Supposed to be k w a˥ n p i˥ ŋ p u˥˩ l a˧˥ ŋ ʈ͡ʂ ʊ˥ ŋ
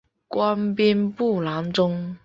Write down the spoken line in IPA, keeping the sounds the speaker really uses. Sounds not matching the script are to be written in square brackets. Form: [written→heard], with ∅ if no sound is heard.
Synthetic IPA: k w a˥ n p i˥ [ŋ→n] p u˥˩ l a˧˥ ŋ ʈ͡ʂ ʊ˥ ŋ

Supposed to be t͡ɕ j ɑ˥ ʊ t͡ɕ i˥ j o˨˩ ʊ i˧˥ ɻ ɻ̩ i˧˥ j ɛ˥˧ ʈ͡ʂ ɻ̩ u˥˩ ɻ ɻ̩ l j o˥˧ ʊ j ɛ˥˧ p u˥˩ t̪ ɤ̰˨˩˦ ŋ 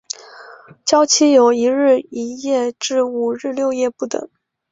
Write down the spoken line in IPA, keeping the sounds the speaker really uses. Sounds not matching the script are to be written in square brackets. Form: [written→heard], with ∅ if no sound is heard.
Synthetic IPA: t͡ɕ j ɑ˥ ʊ [t͡ɕ→t͡ɕʰ] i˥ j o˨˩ ʊ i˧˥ ɻ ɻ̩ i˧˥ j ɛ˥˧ ʈ͡ʂ ɻ̩ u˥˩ ɻ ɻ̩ l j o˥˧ ʊ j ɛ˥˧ p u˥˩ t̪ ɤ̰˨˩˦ ŋ

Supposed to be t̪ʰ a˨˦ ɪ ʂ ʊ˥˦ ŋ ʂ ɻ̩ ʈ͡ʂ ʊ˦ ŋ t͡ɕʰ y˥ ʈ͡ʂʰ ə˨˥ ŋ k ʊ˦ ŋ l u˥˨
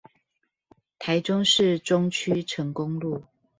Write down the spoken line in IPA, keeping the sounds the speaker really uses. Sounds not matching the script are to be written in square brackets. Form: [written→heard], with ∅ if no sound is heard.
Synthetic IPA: t̪ʰ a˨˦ ɪ [ʂ→ʈ͡ʂ] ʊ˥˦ ŋ ʂ ɻ̩ ʈ͡ʂ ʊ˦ ŋ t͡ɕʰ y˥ ʈ͡ʂʰ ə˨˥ ŋ k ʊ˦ ŋ l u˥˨

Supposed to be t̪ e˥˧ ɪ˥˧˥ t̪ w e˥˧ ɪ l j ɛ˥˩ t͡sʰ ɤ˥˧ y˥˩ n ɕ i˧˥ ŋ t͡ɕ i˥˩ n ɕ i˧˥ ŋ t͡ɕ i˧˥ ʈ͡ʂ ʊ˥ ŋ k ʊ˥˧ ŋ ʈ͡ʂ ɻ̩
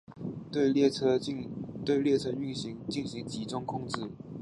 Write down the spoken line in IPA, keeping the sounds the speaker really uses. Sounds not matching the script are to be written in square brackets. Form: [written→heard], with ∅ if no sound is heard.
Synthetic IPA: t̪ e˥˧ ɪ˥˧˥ t̪ w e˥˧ ɪ l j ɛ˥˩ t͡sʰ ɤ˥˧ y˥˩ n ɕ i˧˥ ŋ t͡ɕ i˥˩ n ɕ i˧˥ ŋ t͡ɕ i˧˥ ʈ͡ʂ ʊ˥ ŋ [k→kʰ] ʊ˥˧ ŋ ʈ͡ʂ ɻ̩

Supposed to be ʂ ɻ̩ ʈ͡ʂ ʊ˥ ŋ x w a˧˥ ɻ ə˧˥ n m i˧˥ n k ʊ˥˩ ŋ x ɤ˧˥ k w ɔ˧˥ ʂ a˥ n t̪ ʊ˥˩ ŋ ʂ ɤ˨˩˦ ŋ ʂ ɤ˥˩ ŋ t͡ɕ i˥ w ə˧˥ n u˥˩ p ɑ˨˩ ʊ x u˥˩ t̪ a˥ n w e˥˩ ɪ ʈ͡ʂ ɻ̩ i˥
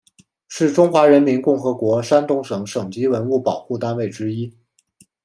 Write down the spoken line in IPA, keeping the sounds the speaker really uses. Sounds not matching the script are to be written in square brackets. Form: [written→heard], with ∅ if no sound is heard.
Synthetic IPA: ʂ ɻ̩ ʈ͡ʂ ʊ˥ ŋ x w a˧˥ ɻ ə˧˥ n m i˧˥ n k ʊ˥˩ ŋ x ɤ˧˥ k w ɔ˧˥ ʂ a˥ n t̪ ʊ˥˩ ŋ ʂ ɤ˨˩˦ ŋ ʂ [ɤ˥˩→ɤ˨˩] ŋ t͡ɕ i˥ w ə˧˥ n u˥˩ p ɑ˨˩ ʊ x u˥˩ t̪ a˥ n w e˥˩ ɪ ʈ͡ʂ ɻ̩ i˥

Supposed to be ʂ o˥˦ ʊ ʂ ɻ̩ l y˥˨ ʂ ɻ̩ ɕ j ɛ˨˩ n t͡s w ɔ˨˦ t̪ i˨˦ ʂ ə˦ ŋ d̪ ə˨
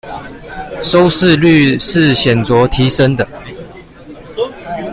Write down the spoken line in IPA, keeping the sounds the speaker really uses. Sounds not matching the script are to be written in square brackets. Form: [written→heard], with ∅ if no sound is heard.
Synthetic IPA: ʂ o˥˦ ʊ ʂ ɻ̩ l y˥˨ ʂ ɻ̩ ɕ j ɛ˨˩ n t͡s w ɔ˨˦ [t̪→t̪ʰ] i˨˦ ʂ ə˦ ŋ d̪ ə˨

